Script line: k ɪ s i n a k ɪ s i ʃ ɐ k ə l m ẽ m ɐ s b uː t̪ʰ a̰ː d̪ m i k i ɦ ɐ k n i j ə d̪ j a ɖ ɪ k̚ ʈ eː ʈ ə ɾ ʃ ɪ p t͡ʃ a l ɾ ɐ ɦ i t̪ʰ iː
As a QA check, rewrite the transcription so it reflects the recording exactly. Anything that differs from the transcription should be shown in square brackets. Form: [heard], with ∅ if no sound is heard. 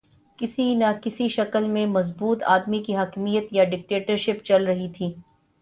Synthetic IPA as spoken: k ɪ s i n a k ɪ s i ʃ ɐ k ə l m ẽ m ɐ [z] b uː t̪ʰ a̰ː d̪ m i k i ɦ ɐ k [m] i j ə [t̪] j a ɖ ɪ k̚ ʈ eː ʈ ə ɾ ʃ ɪ p t͡ʃ [ɐ] l ɾ ɐ ɦ i t̪ʰ iː